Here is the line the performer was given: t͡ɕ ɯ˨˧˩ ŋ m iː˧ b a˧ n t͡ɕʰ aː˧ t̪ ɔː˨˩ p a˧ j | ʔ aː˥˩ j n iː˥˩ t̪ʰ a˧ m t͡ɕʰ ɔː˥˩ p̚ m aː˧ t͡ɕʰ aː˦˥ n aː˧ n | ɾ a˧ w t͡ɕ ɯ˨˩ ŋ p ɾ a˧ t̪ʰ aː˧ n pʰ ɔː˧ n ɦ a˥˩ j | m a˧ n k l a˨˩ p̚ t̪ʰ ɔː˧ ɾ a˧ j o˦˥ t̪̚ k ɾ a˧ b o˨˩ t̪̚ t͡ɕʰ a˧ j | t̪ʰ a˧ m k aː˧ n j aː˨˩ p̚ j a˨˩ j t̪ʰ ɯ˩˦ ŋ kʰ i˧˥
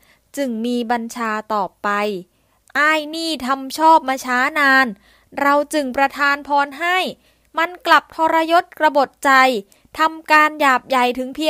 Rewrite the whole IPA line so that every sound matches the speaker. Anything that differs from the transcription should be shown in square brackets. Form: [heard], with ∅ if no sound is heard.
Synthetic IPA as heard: t͡ɕ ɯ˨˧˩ ŋ m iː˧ b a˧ n t͡ɕʰ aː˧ t̪ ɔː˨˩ p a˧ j | ʔ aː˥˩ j n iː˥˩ t̪ʰ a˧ m t͡ɕʰ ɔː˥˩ p̚ m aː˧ t͡ɕʰ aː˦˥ n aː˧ n | ɾ a˧ w t͡ɕ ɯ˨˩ ŋ p ɾ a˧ t̪ʰ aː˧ n pʰ ɔː˧ n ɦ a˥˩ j | m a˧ n k l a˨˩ p̚ t̪ʰ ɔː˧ ɾ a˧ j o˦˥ t̪̚ k ɾ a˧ b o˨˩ t̪̚ [t͡ɕ] a˧ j | t̪ʰ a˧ m k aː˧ n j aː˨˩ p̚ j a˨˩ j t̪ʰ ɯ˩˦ ŋ [pʰ] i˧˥